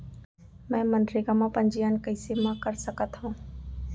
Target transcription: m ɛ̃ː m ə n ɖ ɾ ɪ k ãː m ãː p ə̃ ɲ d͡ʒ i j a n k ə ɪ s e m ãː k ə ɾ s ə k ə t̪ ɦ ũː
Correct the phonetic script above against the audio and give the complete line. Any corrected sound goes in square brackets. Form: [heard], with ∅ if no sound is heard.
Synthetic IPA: m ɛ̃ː m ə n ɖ ɾ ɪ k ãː m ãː p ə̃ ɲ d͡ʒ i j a n k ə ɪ s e m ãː k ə ɾ s ə k ə t̪ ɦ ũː